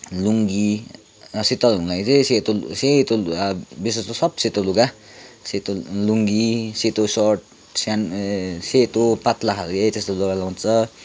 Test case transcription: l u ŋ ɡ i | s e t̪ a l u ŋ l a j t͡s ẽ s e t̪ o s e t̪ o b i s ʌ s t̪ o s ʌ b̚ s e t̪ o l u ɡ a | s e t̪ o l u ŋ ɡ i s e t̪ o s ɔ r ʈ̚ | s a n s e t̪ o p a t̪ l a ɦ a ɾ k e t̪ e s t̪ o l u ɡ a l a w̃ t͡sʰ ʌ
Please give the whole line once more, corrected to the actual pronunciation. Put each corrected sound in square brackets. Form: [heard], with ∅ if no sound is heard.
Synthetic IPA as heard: l u ŋ ɡ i | s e t̪ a l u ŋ l a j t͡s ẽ s e t̪ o s e t̪ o b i s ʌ s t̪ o s ʌ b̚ s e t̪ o l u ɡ a | s e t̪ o l u ŋ ɡ i s e t̪ o s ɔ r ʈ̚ | s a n s e t̪ o p a t̪ l a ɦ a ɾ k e t̪ e s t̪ o l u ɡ a l a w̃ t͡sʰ ʌ